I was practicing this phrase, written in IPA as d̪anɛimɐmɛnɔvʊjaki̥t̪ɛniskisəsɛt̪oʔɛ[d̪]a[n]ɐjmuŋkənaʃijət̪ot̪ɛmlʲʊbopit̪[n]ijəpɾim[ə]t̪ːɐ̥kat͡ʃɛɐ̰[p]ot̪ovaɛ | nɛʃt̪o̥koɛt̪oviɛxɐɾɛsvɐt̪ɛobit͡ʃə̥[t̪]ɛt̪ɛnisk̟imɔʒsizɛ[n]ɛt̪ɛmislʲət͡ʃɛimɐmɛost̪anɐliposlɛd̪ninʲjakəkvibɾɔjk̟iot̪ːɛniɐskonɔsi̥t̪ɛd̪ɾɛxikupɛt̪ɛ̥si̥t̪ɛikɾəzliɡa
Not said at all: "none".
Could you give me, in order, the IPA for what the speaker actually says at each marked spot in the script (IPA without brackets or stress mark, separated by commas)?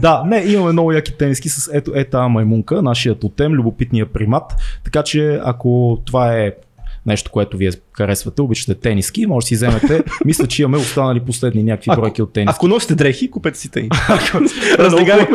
t̪, m, n, a, k, t̪, m